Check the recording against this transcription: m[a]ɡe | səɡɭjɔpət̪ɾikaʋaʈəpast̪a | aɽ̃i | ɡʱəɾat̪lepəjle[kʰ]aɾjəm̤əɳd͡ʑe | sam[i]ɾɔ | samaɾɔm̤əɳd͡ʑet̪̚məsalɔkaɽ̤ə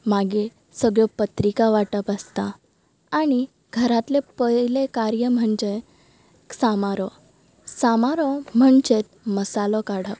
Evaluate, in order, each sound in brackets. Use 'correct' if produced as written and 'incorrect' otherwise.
correct, incorrect, incorrect

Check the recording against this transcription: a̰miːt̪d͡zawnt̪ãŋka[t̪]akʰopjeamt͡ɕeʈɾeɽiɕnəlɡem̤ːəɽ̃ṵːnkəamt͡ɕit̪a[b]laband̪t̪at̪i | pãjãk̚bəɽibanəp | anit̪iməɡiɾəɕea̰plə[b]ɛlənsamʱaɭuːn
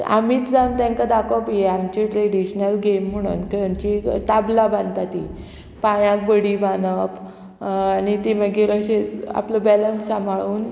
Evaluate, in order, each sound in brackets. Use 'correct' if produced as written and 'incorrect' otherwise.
incorrect, correct, correct

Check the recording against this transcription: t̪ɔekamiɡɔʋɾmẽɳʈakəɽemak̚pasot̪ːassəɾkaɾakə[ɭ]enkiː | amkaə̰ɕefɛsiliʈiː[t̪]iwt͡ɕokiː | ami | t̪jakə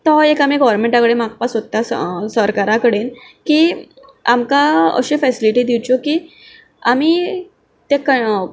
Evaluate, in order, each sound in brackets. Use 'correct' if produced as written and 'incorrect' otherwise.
incorrect, incorrect

